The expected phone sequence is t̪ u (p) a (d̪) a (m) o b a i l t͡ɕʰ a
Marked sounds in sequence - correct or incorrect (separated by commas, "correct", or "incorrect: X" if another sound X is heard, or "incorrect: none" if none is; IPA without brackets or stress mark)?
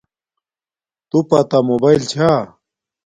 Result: correct, incorrect: t̪, correct